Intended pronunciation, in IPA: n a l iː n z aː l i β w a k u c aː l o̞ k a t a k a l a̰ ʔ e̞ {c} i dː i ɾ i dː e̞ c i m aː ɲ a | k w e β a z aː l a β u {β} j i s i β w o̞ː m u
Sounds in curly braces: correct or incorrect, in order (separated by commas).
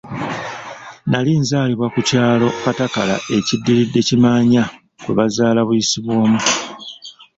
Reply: correct, incorrect